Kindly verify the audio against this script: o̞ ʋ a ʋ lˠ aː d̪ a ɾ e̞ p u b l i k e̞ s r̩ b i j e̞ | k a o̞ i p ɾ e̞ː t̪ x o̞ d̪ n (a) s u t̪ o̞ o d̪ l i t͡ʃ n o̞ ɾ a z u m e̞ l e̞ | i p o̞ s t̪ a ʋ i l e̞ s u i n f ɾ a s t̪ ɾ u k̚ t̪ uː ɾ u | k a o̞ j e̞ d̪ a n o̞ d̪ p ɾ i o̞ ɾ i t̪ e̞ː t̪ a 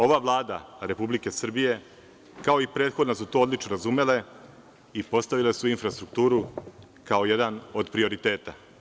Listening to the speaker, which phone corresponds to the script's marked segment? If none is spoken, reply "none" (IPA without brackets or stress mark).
a